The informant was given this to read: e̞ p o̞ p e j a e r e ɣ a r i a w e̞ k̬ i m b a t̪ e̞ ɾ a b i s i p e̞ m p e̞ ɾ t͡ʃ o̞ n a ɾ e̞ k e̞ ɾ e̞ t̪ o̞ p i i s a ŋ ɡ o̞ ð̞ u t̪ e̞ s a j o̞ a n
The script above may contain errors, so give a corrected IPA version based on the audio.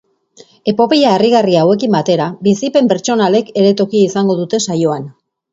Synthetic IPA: e̞ p o̞ p e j a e r i ɣ a r i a w e̞ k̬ i m b a t̪ e̞ ɾ a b i s i p e̞ m p e̞ ɾ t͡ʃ o̞ n a l e̞ k e̞ ɾ e̞ t̪ o̞ k i i s a ŋ ɡ o̞ ð̞ u t̪ e̞ s a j o̞ a n